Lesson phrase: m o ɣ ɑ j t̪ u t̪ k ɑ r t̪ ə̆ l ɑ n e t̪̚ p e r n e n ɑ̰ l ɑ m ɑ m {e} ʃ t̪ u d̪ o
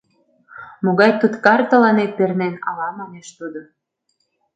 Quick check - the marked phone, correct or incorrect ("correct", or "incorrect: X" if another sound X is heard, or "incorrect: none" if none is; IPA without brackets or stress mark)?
correct